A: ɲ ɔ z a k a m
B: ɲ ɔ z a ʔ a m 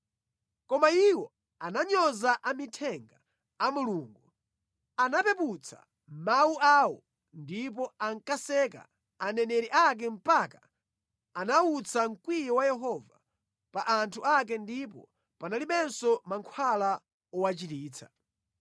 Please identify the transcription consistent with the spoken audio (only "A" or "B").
B